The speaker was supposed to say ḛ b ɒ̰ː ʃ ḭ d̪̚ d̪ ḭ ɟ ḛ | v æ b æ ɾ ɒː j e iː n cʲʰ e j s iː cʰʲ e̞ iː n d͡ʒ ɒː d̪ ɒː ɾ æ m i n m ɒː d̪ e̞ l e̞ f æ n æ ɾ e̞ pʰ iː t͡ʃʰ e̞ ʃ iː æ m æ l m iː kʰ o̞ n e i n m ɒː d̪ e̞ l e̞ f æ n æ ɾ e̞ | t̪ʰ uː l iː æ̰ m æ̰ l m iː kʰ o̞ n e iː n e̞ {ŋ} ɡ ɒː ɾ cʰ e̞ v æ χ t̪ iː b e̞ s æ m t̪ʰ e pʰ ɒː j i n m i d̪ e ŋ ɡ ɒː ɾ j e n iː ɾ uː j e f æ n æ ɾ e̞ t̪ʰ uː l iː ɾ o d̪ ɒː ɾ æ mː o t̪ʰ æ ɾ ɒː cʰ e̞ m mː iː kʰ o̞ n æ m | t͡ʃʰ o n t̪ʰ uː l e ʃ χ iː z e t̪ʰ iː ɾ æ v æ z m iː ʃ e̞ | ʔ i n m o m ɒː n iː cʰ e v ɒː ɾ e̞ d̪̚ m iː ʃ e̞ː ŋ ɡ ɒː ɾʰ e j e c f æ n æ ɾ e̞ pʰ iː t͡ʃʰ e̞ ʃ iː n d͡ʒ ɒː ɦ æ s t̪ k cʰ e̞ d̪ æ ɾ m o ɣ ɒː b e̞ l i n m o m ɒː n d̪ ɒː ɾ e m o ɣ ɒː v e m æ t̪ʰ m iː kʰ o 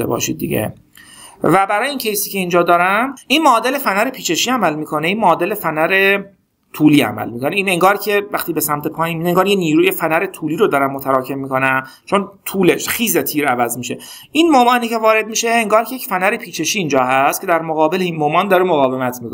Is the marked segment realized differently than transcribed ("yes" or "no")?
no